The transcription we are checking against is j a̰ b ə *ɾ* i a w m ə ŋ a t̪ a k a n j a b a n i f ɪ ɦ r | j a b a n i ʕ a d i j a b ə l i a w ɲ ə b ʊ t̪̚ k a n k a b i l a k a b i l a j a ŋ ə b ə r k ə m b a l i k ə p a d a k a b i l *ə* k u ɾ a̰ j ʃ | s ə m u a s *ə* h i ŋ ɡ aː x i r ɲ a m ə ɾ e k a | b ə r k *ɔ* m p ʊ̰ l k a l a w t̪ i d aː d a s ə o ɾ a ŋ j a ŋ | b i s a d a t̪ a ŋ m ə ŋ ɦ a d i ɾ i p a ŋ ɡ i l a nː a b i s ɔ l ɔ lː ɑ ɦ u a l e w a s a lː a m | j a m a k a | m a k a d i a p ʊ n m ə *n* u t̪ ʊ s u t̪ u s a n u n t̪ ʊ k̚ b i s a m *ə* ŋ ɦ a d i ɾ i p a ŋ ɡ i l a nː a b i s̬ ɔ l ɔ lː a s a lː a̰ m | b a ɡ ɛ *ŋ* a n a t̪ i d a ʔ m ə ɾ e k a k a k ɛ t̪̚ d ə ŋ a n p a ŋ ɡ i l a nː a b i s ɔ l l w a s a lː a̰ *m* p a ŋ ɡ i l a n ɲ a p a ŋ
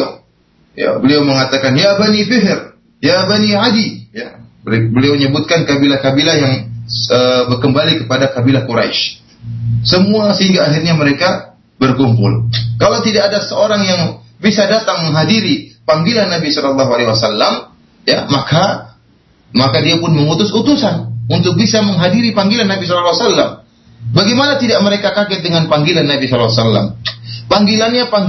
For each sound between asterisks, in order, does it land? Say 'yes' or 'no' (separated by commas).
no, no, yes, no, no, yes, no, yes